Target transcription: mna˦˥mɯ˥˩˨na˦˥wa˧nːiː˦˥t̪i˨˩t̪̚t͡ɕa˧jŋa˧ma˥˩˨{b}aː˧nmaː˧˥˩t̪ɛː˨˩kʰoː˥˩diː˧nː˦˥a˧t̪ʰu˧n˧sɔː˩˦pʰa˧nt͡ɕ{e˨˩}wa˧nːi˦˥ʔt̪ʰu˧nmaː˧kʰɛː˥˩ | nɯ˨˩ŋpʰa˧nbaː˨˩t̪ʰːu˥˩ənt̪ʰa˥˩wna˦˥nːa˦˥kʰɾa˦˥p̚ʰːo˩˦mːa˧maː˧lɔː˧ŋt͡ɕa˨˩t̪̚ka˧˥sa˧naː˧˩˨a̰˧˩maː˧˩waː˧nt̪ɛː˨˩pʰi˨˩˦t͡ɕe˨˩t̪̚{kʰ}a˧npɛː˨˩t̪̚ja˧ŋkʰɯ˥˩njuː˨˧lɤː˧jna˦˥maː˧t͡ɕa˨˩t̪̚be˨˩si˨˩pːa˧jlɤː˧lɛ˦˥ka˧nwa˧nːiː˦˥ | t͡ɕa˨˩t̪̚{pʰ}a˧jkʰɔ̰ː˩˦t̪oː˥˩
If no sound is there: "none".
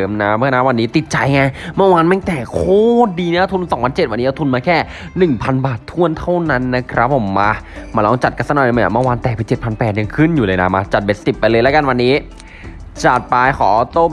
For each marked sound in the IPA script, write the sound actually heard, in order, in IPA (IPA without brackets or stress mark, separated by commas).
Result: w, e˨˩, pʰ, p